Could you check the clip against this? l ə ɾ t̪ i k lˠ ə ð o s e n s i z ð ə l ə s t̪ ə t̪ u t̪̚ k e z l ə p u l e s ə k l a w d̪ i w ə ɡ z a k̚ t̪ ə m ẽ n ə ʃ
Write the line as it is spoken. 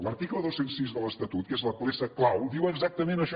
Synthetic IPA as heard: l ə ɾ t̪ i k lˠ ə ð o s e n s i z ð ə l ə s t̪ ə t̪ u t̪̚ k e z l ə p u l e s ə k l a w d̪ i w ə ɡ z a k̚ t̪ ə m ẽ n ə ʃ